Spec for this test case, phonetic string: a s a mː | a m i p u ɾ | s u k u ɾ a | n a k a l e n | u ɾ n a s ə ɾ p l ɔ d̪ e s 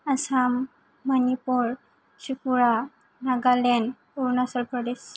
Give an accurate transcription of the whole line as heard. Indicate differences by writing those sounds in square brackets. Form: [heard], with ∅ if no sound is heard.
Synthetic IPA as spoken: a s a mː | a [n] i p u ɾ | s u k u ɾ a | n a [ɡ] a l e n | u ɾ n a s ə [l] p [ɾ] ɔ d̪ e s